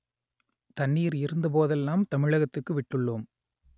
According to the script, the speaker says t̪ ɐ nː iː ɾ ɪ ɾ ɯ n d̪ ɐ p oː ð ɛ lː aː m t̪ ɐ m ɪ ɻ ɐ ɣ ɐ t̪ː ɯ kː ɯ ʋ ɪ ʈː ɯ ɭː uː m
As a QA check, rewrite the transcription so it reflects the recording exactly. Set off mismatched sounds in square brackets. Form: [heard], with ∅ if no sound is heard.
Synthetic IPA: t̪ ɐ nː iː ɾ ɪ ɾ ɯ n d̪ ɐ p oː ð ɛ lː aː m t̪ ɐ m ɪ ɻ ɐ ɣ ɐ t̪ː ɯ kː ɯ ʋ ɪ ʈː ɯ ɭː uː m